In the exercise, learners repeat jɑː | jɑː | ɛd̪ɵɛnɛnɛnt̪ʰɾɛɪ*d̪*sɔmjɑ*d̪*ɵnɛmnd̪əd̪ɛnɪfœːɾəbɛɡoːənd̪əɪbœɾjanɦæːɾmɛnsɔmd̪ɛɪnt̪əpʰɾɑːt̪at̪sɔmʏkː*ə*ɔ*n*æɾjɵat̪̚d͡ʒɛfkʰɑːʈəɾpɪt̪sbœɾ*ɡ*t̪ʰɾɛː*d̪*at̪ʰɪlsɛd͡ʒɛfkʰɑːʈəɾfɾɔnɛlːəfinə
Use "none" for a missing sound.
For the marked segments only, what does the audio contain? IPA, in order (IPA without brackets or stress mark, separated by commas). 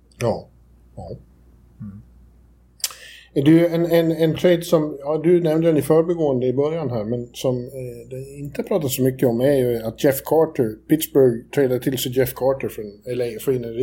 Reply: d̪, d̪, ə, m, ɡ, d̪